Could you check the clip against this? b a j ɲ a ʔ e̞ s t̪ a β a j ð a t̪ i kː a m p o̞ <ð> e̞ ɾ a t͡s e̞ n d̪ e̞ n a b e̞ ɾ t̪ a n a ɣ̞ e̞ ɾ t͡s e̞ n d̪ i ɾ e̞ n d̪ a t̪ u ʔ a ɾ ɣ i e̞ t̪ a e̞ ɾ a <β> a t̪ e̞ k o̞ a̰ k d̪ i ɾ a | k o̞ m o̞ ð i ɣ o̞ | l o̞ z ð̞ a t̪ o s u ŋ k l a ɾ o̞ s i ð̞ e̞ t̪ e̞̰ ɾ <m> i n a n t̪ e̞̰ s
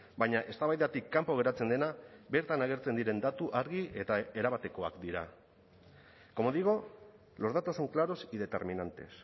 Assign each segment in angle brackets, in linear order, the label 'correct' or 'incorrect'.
incorrect, correct, correct

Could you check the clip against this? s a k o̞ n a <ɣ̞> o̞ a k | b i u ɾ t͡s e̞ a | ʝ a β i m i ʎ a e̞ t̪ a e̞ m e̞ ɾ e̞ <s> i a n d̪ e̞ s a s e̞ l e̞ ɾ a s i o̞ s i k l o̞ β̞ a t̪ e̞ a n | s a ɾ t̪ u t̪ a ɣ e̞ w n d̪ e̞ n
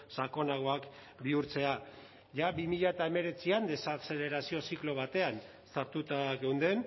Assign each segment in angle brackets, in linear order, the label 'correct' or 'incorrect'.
correct, incorrect

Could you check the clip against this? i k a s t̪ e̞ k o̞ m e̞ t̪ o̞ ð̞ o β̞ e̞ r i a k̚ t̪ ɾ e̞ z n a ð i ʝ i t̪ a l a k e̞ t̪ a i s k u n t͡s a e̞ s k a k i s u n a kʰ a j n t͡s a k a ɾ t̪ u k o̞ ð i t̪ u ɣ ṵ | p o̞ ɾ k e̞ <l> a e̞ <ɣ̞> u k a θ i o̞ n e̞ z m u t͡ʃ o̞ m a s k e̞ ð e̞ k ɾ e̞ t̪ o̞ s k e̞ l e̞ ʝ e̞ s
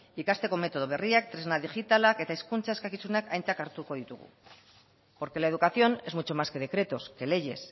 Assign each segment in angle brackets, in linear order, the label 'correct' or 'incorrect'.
correct, incorrect

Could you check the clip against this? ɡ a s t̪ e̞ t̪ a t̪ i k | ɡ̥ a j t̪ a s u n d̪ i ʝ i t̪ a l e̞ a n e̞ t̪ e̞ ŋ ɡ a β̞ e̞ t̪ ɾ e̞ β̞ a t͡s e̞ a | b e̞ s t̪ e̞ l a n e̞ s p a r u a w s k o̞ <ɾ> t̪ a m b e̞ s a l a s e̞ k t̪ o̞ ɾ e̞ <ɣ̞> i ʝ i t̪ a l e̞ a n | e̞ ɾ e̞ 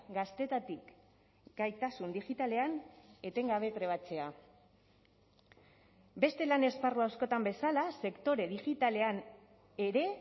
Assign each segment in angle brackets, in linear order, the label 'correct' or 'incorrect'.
incorrect, incorrect

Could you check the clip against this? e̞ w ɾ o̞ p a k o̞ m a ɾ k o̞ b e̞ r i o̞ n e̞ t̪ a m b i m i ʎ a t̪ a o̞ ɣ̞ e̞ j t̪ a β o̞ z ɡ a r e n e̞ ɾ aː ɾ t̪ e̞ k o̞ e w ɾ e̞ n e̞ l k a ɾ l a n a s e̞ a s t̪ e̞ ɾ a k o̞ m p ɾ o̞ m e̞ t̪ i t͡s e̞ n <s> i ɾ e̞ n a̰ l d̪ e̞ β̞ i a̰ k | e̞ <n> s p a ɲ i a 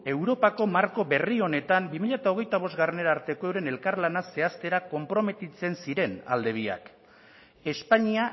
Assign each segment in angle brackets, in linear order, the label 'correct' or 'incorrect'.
correct, incorrect

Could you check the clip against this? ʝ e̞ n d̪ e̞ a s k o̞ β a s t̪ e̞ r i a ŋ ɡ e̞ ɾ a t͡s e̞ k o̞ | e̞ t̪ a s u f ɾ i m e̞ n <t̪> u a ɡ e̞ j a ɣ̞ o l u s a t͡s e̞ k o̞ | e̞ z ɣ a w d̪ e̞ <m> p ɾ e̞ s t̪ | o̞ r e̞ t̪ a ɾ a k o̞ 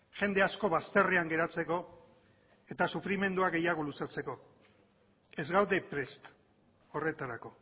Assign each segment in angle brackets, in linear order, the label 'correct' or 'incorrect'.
incorrect, incorrect

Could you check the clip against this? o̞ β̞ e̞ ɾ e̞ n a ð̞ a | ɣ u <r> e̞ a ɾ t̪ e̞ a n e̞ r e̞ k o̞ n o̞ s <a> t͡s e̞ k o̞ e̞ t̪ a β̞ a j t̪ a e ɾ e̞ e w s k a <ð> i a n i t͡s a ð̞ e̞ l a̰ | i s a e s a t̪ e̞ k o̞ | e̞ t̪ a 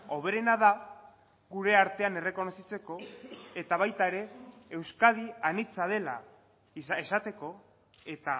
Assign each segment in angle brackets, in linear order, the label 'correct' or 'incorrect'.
incorrect, incorrect, correct

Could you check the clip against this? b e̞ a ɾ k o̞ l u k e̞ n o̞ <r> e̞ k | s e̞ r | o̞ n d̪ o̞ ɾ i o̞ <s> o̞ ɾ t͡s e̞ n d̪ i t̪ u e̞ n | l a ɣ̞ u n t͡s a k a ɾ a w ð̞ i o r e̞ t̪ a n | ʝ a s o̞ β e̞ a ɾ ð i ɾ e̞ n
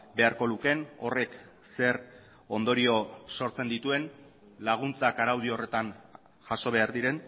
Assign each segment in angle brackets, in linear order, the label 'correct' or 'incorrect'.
correct, correct

